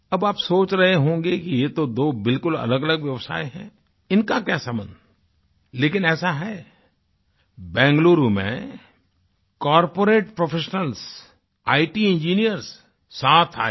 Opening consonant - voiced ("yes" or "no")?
yes